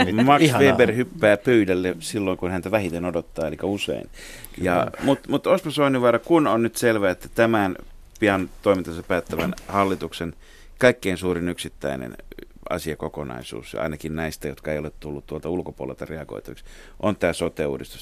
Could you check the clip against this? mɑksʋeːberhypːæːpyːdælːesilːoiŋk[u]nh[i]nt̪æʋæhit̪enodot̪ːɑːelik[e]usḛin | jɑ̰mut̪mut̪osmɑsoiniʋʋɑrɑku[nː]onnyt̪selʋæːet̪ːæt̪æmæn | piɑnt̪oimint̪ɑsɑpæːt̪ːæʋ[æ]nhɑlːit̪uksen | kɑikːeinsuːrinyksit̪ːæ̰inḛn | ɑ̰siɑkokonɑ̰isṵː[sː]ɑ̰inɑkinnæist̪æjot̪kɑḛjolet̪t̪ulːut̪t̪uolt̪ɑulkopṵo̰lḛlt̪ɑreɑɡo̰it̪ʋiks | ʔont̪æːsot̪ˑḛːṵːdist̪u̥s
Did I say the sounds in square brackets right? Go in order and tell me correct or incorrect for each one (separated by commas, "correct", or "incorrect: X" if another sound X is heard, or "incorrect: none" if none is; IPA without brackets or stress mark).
correct, incorrect: æ, incorrect: æ, incorrect: n, correct, incorrect: s